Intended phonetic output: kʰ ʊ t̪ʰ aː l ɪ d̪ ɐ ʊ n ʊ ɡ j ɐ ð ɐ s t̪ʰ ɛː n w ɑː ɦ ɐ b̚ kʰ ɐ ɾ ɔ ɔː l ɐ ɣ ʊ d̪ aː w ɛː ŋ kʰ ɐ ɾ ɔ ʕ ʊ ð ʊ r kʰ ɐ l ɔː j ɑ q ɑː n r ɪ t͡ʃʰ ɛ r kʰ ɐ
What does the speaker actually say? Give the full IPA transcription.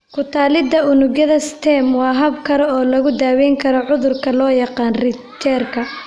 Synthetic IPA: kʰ ʊ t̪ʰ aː l ɪ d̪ ɐ ʊ n ʊ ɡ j ɐ ð ɐ s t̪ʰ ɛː m w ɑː ɦ ɐ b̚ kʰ ɐ ɾ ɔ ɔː l ɐ ɣ ʊ d̪ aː w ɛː ŋ kʰ ɐ ɾ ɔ ʕ ʊ ð ʊ r kʰ ɐ l ɔː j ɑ q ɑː n r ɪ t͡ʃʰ ɛ r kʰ ɐ